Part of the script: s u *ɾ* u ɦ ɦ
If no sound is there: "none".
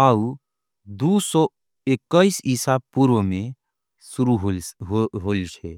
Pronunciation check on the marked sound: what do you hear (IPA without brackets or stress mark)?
ɾ